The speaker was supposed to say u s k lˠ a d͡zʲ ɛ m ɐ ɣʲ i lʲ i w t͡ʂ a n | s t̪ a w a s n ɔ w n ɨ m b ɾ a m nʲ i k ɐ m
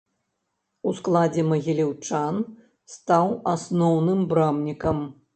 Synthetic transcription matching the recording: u s k lˠ a d͡zʲ ɛ m ɐ ɣʲ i lʲ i w t͡ʂ a n | s t̪ a w a s n ɔ w n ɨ m b ɾ a m nʲ i k ɐ m

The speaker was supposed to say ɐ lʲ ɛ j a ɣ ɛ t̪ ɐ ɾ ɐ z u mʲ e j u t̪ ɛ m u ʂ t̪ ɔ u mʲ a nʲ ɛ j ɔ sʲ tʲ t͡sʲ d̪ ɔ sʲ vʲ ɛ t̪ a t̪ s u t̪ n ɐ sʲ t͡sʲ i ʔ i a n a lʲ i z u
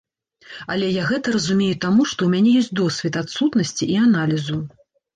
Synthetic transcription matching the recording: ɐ lʲ ɛ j a ɣ ɛ t̪ ɐ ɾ ɐ z u mʲ e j u t̪ a m u ʂ t̪ ɔ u mʲ a nʲ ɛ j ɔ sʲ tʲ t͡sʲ d̪ ɔ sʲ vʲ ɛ t̪ a t̪ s u t̪ n ɐ sʲ t͡sʲ i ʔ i a n a lʲ i z u

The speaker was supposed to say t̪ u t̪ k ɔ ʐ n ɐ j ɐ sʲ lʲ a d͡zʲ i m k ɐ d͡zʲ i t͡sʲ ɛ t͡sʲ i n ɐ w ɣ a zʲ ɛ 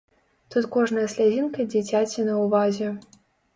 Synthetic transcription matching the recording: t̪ u t̪ k ɔ ʐ n ɐ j ɐ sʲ lʲ a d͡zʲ i n k ɐ d͡zʲ i t͡sʲ a t͡sʲ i n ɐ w v a zʲ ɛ

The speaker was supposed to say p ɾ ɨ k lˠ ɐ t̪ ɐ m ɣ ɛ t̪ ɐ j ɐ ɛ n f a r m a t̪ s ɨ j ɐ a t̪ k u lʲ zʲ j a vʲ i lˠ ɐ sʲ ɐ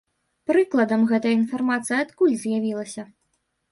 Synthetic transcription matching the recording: p ɾ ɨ k lˠ ɐ d̪ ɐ m ɣ ɛ t̪ ɐ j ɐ i n f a r m a t̪ s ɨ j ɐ a t̪ k u lʲ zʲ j a vʲ i lˠ ɐ sʲ ɐ

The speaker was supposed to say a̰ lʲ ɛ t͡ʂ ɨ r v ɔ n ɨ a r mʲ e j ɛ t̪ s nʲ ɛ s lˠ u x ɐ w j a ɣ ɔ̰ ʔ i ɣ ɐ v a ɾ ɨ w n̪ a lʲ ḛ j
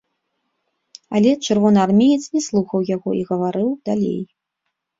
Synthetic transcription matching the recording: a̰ lʲ ɛ t͡ʂ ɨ r v ɔ n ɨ a r mʲ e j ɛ t̪ s nʲ ɛ s lˠ u x ɐ w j a ɣ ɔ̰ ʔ i ɣ ɐ v a ɾ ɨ w d̪ a lʲ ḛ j

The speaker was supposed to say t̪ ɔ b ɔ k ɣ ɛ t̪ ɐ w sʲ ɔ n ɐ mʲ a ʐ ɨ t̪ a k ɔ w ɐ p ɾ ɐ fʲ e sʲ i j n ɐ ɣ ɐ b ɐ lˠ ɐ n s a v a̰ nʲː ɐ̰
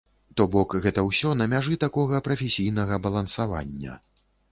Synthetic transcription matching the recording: t̪ ɔ b ɔ k ɣ ɛ t̪ ɐ w sʲ ɔ n ɐ mʲ a ʐ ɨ t̪ a k ɔ ɣ ɐ p ɾ ɐ fʲ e sʲ i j n ɐ ɣ ɐ b ɐ lˠ ɐ n s a v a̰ nʲː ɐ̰

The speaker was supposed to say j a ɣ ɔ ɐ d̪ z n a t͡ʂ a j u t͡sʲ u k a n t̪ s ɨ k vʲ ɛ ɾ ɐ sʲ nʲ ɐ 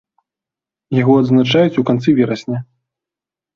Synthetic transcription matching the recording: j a ɣ ɔ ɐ d̪ z n a t͡ʂ a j u t͡sʲ u k a n t̪ s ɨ vʲ ɛ ɾ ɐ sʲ nʲ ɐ

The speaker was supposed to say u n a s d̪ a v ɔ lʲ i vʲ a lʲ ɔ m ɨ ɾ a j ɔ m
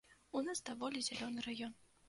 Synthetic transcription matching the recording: u n a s d̪ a v ɔ lʲ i zʲ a lʲ ɔ n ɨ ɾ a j ɔ n

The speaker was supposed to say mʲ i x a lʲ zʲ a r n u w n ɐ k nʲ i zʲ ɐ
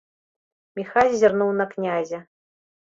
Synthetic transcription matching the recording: mʲ i x a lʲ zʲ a r n u w n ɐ k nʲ a zʲ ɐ

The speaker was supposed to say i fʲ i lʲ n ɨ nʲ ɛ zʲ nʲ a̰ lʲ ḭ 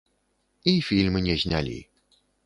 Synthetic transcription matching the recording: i fʲ i lʲ m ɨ nʲ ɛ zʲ nʲ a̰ lʲ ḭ

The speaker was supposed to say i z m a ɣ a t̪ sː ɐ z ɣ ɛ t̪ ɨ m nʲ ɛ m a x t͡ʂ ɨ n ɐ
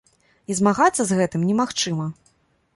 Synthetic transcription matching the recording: i z m a ɣ a t̪ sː ɐ z ɣ ɛ t̪ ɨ m nʲ ɛ m a x t͡ʂ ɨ m ɐ

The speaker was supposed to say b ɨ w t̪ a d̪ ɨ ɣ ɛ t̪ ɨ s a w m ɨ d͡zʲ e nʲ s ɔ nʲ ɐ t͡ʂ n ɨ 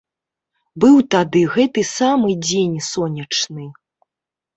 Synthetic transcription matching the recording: b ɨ w t̪ a d̪ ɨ ɣ ɛ t̪ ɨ s a m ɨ d͡zʲ e nʲ s ɔ nʲ ɐ t͡ʂ n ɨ

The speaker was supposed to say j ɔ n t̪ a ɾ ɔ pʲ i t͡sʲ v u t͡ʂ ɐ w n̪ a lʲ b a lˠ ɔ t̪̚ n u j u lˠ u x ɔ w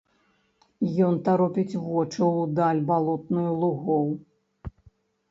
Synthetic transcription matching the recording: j ɔ n t̪ a ɾ ɔ pʲ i t͡sʲ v ɔ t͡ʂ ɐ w d̪ a lʲ b a lˠ ɔ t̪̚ n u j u lˠ u ɣ ɔ w

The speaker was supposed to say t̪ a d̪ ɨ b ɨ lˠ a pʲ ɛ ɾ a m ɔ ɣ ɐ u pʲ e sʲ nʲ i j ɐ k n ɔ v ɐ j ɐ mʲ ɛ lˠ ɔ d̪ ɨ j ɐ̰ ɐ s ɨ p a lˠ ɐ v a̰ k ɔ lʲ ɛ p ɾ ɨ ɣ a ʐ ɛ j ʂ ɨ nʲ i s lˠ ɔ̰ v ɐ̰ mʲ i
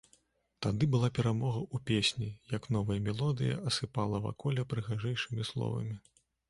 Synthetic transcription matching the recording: t̪ a d̪ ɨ b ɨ lˠ a pʲ ɛ ɾ a m ɔ ɣ ɐ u pʲ e sʲ nʲ i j ɐ k n ɔ v ɐ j ɐ mʲ ɛ lˠ ɔ d̪ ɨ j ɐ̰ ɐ s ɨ p a lˠ ɐ v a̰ k ɔ lʲ ɛ p ɾ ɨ ɣ a ʐ ɛ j ʂ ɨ mʲ i s lˠ ɔ̰ v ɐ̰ mʲ i

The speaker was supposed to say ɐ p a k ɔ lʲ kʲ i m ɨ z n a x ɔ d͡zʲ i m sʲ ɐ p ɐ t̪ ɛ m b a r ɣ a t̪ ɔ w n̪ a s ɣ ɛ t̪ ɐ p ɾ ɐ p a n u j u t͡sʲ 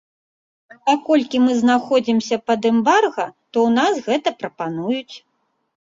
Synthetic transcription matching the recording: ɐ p a k ɔ lʲ kʲ i m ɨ z n a x ɔ d͡zʲ i m sʲ ɐ p ɐ d̪ ɛ m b a r ɣ ɐ t̪ ɔ w n̪ a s ɣ ɛ t̪ ɐ p ɾ ɐ p a n u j u t͡sʲ

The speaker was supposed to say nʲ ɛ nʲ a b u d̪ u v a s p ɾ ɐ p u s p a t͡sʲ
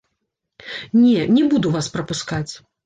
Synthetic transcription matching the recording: nʲ ɛ nʲ ɛ b u d̪ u v a s p ɾ ɐ p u s k a t͡sʲ

